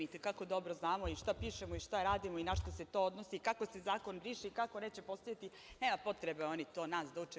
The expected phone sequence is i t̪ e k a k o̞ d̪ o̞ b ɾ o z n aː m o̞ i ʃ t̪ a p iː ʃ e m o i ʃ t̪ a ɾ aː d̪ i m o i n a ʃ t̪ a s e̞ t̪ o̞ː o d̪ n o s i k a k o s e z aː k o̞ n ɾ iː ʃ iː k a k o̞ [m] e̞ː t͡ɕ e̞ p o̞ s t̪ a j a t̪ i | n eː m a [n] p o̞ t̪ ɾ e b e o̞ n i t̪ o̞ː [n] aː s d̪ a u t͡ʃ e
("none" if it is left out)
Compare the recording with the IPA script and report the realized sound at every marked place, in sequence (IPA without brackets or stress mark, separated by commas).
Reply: n, none, n